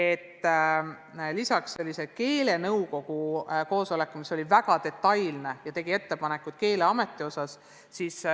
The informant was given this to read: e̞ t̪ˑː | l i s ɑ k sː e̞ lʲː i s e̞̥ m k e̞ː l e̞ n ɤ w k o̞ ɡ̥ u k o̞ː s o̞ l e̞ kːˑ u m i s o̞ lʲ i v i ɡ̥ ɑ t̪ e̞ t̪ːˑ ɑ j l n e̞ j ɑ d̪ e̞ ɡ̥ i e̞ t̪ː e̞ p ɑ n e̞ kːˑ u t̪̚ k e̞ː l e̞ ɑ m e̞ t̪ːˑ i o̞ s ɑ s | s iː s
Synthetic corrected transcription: e̞ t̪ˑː | l i s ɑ k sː e̞ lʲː i s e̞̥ k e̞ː l e̞ n ɤ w k o̞ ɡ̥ u k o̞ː s o̞ l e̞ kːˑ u m i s o̞ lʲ i v æ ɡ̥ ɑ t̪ e̞ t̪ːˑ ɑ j l n e̞ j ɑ t̪ e̞ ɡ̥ i e̞ t̪ː e̞ p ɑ n e̞ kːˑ u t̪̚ k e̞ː l e̞ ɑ m e̞ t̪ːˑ i o̞ s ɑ s | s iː s